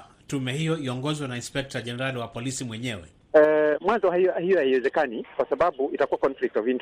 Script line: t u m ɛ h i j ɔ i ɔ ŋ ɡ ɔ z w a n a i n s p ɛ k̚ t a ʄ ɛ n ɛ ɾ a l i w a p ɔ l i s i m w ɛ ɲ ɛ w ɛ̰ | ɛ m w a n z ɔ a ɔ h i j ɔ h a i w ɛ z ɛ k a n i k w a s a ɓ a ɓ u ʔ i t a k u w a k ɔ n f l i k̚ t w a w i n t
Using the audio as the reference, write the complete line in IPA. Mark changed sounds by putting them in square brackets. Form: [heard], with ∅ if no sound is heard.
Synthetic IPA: t u m ɛ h i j ɔ i ɔ ŋ ɡ ɔ z w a n a i n s p ɛ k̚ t a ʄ ɛ n ɛ ɾ a l i w a p ɔ l i s i m w ɛ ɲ ɛ w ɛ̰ | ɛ m w a n z ɔ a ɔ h i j ɔ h a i w ɛ z ɛ k a n i k w a s a ɓ a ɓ u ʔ i t a k u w a k ɔ n f l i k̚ t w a [v] i n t